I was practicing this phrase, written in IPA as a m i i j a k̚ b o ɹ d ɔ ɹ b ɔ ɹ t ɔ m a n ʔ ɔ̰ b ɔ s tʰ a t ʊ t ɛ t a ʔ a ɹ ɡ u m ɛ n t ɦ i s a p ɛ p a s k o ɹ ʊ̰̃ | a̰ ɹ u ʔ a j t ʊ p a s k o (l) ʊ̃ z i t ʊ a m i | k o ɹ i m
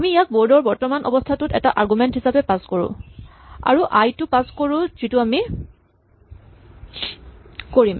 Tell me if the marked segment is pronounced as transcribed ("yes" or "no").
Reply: no